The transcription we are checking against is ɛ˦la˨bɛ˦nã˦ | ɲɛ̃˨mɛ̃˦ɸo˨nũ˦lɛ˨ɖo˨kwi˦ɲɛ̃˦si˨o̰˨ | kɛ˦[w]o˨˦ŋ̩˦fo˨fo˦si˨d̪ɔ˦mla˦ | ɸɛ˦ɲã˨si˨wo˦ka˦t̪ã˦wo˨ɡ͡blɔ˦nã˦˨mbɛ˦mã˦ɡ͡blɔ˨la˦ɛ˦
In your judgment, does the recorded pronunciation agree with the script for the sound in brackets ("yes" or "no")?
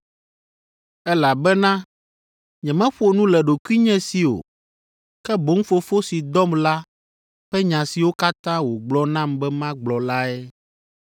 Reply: no